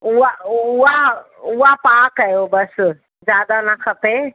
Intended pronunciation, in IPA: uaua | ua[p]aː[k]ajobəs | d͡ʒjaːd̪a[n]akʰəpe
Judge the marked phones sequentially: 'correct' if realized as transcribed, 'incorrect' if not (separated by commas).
correct, correct, correct